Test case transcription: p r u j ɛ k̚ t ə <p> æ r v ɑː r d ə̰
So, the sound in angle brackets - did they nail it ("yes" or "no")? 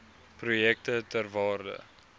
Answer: no